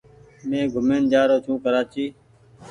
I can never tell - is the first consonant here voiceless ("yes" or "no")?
no